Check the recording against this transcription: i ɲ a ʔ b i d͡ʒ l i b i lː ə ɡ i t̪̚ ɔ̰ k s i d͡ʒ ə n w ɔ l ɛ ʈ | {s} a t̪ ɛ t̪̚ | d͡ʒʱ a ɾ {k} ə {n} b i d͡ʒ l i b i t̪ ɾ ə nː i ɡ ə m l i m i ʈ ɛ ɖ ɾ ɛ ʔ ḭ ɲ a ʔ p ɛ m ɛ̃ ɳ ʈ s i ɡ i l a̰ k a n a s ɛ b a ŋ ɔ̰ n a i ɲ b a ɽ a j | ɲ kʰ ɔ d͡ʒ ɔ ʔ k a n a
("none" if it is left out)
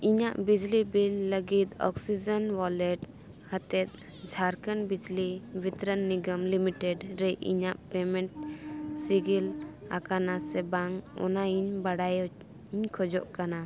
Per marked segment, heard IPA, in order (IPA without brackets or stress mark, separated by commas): h, k, n